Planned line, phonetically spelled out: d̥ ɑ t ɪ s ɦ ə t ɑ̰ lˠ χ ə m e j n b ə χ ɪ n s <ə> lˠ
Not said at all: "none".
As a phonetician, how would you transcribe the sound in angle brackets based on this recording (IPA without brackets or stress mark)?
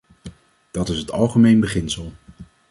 ə